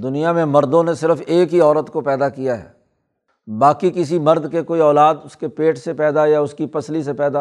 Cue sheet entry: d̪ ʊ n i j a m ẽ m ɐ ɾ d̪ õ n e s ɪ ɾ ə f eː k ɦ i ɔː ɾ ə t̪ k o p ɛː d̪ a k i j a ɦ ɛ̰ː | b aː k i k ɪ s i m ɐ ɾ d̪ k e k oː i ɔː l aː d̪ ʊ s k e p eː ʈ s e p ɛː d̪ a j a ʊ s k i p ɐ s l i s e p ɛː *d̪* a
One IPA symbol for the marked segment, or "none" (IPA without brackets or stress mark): d̪